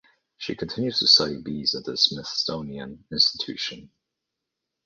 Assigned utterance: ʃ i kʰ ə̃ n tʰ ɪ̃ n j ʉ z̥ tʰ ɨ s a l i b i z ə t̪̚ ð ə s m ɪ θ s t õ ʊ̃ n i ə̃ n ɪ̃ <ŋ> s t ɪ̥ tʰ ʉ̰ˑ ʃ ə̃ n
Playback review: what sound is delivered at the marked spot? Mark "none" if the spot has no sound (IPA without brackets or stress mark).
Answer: n